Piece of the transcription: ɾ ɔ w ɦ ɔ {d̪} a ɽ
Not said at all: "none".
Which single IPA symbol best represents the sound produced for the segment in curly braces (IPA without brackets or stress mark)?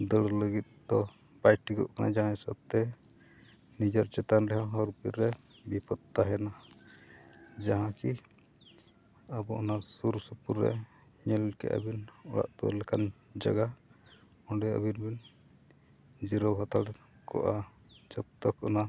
t̪